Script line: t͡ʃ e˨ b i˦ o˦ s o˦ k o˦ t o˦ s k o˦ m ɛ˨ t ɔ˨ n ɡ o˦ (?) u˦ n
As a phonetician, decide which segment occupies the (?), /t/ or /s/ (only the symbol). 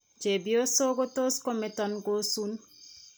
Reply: s